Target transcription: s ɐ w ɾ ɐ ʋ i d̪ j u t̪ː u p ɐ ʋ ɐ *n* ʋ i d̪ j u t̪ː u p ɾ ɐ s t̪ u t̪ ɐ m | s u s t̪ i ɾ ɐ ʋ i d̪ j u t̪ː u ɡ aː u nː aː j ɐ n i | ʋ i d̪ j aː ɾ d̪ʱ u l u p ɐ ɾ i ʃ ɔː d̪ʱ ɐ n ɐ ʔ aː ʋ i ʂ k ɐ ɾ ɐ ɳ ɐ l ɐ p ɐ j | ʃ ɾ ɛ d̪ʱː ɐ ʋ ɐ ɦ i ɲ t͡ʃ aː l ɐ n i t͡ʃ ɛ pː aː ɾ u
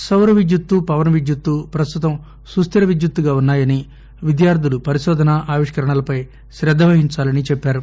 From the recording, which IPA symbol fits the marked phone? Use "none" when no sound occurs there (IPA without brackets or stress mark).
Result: n